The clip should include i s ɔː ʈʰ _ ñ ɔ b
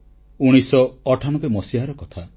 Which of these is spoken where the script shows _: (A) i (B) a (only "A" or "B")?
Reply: B